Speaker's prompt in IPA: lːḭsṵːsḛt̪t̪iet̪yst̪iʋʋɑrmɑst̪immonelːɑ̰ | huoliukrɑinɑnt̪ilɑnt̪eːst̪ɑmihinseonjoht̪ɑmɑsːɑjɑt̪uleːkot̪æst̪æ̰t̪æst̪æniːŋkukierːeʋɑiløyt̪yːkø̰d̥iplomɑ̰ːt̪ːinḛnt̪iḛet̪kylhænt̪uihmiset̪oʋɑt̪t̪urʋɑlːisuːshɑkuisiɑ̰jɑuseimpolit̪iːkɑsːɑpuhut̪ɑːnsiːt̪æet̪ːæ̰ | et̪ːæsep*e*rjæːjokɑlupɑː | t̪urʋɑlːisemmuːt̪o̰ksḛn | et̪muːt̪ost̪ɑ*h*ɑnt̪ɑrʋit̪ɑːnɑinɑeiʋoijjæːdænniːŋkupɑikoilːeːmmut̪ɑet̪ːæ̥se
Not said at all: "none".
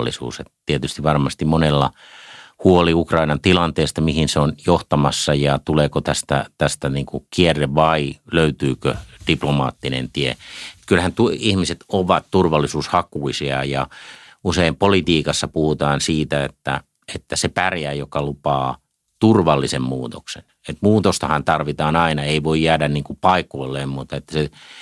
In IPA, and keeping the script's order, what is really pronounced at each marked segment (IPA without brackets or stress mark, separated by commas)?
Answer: æ, h